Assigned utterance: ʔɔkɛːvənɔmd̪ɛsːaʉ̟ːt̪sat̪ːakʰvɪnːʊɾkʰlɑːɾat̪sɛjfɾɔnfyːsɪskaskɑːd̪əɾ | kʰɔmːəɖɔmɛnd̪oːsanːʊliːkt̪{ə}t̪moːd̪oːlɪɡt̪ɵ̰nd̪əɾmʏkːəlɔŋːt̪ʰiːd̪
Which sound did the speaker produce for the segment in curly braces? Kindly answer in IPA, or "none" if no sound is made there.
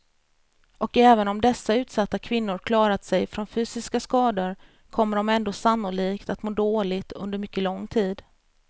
a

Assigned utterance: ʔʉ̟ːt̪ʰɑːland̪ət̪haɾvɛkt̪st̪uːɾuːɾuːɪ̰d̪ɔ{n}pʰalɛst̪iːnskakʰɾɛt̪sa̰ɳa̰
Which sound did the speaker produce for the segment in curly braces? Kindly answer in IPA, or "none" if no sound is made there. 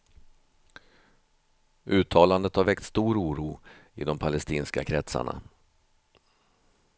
m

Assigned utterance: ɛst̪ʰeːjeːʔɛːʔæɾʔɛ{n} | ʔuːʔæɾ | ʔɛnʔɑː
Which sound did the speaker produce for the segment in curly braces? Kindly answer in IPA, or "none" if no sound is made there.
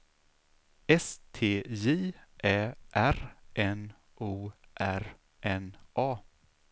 n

